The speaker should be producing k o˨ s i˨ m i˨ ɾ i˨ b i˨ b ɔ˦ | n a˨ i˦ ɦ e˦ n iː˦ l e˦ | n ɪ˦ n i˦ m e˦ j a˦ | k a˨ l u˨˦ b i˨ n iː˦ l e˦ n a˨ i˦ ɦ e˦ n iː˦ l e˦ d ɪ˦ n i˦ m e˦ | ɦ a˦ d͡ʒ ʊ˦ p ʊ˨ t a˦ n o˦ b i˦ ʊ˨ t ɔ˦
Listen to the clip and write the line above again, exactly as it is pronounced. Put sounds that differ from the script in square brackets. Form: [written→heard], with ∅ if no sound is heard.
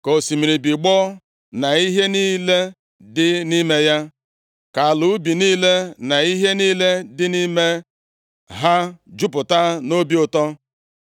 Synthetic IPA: k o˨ s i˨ m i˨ ɾ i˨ b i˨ [b→ɡ͡b] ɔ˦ | n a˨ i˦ ɦ e˦ n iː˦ l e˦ | [n→d] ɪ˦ n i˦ m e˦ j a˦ | k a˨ l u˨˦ b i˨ n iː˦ l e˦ n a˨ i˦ ɦ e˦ n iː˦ l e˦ d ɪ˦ n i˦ m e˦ | ɦ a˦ d͡ʒ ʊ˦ p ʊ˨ t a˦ n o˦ b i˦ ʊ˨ t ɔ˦